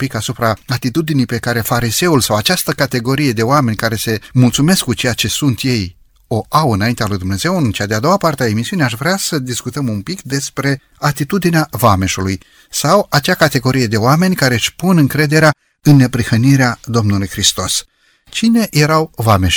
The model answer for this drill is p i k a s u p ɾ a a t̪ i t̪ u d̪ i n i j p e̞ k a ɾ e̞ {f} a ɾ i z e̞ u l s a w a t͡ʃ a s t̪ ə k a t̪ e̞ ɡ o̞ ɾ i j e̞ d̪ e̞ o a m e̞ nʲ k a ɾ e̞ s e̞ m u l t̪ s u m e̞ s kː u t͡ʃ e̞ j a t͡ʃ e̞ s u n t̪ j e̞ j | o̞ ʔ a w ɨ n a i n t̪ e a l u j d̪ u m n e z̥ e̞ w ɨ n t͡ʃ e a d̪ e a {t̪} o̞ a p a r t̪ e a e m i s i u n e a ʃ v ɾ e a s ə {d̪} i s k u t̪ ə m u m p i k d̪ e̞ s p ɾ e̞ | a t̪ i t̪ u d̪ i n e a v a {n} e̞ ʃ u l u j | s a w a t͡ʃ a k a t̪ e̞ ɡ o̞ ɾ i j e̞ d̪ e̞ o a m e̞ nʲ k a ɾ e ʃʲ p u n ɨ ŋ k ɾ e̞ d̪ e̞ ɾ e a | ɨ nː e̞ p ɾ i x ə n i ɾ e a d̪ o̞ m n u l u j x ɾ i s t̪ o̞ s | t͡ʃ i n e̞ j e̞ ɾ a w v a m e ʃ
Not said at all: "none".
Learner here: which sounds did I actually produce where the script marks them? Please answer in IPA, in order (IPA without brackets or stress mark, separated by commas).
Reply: f, d̪, d̪, m